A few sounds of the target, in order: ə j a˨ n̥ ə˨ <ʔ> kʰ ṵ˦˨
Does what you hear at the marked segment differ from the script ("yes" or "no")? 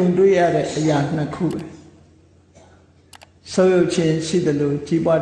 yes